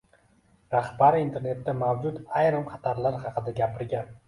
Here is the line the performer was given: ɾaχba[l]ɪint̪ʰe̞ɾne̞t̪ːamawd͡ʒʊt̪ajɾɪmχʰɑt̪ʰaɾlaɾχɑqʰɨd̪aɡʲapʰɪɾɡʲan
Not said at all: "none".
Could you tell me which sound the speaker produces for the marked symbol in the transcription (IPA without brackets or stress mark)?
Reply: ɾ